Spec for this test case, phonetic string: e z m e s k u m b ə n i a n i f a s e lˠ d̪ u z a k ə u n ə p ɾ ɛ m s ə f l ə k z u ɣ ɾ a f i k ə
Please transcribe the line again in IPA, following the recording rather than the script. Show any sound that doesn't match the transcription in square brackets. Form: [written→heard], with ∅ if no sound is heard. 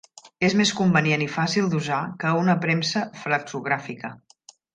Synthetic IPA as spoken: e z m e s k u m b ə n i [a→e] n i f a s [e→i] lˠ d̪ u z a k ə u n ə p ɾ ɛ m s ə f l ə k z u ɣ ɾ a f i k ə

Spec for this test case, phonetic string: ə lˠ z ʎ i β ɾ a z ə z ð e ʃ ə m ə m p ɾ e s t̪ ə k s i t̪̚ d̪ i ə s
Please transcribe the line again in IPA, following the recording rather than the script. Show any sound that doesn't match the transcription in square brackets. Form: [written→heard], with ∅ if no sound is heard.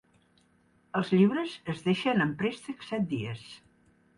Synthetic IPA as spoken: ə lˠ z ʎ i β ɾ [a→ə] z ə z ð e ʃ ə [m→n] ə m p ɾ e s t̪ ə k s [i→ɛ] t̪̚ d̪ i ə s

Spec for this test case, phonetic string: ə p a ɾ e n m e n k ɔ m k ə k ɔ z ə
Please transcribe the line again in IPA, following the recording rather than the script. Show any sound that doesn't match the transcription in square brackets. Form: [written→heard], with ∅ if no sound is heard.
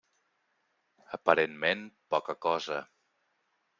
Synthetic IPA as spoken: ə p [a→ə] ɾ e n m e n [k→p] ɔ [m→∅] k ə k ɔ z ə

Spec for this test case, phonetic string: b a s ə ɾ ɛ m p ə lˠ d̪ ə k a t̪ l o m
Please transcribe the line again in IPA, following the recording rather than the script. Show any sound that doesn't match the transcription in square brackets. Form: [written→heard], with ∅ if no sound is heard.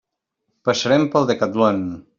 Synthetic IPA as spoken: [b→p] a s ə ɾ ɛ m p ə lˠ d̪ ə k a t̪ l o [m→n]

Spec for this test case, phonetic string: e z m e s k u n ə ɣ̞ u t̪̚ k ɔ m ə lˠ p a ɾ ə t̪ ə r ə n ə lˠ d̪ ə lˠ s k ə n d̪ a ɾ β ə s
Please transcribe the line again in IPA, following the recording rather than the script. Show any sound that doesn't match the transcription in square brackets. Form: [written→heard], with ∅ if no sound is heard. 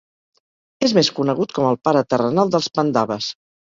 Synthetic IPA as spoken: e z m e s k u n ə ɣ̞ u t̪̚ k ɔ m ə lˠ p a ɾ ə t̪ ə r ə n [ə→a] lˠ d̪ ə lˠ s [k→p] ə n d̪ a [ɾ→∅] β ə s

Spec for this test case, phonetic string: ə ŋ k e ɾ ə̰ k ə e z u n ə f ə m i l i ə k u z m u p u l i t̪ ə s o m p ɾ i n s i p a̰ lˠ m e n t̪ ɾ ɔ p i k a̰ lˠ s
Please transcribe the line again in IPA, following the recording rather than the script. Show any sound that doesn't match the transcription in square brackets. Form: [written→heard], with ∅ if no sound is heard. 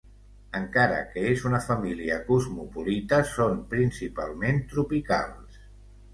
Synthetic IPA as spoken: ə ŋ k [e→a] ɾ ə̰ k ə e z u n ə f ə m i l i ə k u z m u p u l i t̪ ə s o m p ɾ i n s i p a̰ lˠ m e n t̪ ɾ [ɔ→u] p i k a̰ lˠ s

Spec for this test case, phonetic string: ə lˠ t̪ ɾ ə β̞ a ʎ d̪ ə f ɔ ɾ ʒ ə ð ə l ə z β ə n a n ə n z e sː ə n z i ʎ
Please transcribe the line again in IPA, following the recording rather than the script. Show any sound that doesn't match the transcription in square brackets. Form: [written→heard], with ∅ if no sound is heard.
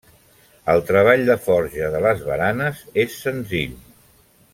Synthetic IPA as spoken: ə lˠ t̪ ɾ ə β̞ a ʎ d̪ ə f ɔ ɾ ʒ ə ð ə l ə z β ə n a n ə [n→∅] z e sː ə n z i ʎ

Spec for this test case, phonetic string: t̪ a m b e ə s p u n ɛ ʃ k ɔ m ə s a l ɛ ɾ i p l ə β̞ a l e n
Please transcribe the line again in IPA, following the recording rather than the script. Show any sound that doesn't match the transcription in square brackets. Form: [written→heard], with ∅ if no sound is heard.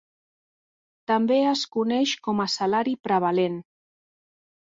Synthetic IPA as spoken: t̪ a m b e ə s [p→k] u n ɛ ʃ k ɔ m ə s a l [ɛ→a] ɾ i p [l→ɾ] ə β̞ a l e n

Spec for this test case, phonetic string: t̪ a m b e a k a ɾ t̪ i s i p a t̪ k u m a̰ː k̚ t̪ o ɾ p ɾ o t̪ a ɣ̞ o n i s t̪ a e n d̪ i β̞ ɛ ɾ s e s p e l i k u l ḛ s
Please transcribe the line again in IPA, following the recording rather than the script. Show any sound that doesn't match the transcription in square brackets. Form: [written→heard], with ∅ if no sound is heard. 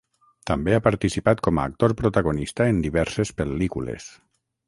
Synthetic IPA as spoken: t̪ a m b e a [k→p] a ɾ t̪ i s i p a t̪ k [u→ɔ] m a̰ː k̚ t̪ o ɾ p ɾ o t̪ a ɣ̞ o n i s t̪ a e n d̪ i β̞ ɛ ɾ s e s p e l i k u l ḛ s

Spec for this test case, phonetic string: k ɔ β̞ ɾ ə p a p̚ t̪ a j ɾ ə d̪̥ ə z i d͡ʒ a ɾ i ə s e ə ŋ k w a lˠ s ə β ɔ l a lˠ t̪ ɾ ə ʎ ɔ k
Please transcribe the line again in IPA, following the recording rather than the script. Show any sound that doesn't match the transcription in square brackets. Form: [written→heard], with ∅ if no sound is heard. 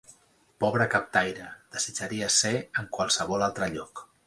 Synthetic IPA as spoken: [k→p] ɔ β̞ ɾ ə [p→k] a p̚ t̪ a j ɾ ə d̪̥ ə z i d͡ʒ a ɾ i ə s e ə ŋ k w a lˠ s ə β ɔ l a lˠ t̪ ɾ ə ʎ ɔ k

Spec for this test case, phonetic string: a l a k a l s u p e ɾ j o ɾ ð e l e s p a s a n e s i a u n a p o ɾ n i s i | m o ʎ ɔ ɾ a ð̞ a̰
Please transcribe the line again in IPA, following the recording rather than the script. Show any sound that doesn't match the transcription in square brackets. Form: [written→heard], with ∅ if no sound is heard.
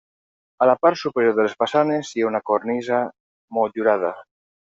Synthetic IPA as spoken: a l a [k→p] a [l→ɾ] s u p e ɾ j o ɾ ð e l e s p a s a n e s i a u n a [p→k] o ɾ n i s [i→a] | m o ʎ [ɔ→u] ɾ a ð̞ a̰

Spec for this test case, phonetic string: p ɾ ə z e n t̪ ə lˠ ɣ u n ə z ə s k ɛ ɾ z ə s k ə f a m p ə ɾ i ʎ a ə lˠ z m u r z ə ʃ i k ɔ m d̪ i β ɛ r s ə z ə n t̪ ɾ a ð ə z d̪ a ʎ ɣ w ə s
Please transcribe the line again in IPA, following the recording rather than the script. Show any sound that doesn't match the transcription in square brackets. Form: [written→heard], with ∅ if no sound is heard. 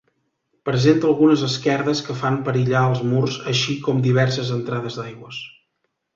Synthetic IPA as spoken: p ɾ ə z e n t̪ ə lˠ ɣ u n ə z ə s k ɛ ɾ [z→ð] ə s k ə f a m p ə ɾ i ʎ a ə lˠ z m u r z ə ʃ i k ɔ m d̪ i β ɛ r s ə z ə n t̪ ɾ a ð ə z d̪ a [ʎ→j] ɣ w ə s

